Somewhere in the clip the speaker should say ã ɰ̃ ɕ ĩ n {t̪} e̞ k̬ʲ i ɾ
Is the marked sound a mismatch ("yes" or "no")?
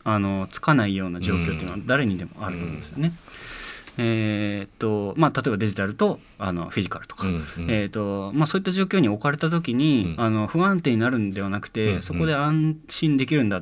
yes